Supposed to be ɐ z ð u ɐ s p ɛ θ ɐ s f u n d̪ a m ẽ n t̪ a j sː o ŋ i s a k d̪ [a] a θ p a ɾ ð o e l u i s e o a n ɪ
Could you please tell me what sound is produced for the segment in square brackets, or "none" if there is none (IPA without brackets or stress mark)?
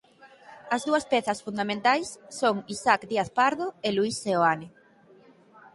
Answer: i